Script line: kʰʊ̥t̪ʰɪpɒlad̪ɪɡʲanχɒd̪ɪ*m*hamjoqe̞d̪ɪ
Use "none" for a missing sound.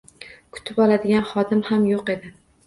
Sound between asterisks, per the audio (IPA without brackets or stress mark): m